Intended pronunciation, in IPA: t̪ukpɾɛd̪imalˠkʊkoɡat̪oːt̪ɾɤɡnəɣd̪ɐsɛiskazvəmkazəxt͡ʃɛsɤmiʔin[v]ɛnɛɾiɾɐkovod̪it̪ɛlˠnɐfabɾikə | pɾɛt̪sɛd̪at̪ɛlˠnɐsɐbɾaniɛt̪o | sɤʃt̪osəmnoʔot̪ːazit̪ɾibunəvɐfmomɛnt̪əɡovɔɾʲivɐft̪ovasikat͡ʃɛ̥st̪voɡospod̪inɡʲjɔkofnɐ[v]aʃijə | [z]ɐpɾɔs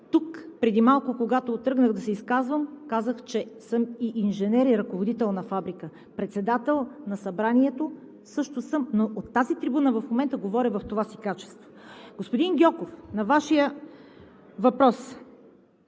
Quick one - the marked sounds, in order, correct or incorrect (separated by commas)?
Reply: incorrect, correct, incorrect